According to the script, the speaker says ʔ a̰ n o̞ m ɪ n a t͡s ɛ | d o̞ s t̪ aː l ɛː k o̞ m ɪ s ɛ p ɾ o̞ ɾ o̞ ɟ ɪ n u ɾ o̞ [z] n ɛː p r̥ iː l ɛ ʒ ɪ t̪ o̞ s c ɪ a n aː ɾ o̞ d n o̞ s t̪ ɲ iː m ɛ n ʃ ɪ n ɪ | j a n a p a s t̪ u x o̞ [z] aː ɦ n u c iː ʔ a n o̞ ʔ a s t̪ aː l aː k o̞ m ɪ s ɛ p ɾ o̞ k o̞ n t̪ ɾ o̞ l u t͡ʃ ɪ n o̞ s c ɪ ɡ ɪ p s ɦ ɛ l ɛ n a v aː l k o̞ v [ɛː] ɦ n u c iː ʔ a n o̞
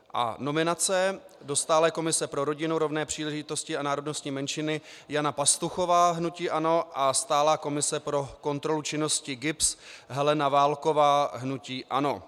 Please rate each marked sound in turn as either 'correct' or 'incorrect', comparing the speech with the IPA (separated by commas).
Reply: incorrect, incorrect, incorrect